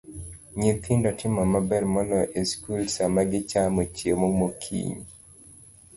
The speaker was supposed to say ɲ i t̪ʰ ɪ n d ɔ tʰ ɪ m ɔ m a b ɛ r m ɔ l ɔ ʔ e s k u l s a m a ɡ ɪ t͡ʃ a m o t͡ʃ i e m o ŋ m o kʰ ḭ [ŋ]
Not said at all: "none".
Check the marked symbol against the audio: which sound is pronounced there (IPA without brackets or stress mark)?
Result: ɲ